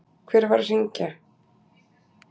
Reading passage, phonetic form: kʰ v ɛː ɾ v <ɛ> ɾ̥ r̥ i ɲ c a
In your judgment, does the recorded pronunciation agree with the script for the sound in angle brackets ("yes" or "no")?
no